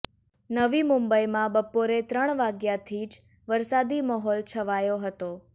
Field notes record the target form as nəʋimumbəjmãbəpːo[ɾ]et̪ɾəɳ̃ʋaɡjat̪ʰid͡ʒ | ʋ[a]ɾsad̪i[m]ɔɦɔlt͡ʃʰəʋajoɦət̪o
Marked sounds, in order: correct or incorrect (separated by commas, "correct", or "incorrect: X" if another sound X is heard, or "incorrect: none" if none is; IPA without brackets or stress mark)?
correct, incorrect: ə, correct